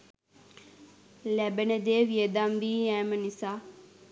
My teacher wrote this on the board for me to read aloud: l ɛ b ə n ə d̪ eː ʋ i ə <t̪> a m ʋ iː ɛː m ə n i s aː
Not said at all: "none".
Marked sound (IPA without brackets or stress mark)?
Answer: d̪